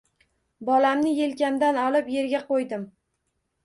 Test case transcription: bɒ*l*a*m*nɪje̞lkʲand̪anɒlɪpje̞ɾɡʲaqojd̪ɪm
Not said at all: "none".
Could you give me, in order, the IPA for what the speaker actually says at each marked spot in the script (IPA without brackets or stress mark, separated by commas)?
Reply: l, m